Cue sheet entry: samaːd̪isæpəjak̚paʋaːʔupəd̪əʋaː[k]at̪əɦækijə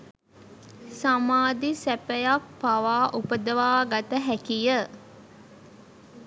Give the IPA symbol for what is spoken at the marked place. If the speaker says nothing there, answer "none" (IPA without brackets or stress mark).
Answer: ɡ